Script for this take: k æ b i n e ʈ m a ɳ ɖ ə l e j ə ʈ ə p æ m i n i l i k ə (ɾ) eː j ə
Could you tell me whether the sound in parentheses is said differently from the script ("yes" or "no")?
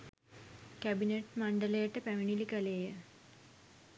yes